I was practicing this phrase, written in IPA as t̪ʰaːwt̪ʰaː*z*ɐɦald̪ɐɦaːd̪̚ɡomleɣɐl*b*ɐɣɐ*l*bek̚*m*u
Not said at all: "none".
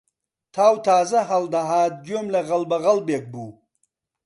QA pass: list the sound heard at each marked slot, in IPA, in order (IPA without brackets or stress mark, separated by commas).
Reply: z, b, l, b